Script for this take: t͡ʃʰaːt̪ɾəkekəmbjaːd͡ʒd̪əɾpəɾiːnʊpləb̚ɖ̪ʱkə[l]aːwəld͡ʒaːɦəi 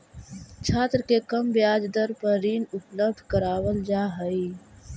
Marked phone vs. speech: incorrect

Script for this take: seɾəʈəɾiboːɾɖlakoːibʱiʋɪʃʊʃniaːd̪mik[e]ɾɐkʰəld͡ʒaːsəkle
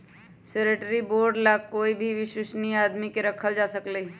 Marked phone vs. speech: correct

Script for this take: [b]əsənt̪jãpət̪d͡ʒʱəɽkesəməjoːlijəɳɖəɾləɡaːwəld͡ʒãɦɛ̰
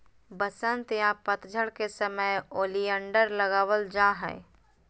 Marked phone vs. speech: correct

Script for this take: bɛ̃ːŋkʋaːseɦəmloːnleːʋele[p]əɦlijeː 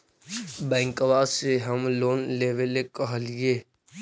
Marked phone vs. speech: incorrect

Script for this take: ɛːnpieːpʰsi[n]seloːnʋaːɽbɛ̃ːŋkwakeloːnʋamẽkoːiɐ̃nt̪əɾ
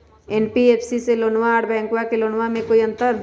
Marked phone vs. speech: incorrect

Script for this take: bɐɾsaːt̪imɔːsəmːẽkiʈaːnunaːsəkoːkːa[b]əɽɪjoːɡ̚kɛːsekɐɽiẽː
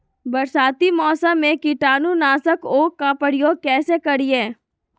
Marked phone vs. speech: incorrect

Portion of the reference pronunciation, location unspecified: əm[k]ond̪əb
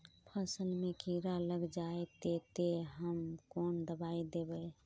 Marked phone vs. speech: correct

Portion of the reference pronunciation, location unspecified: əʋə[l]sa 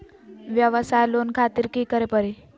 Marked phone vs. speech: incorrect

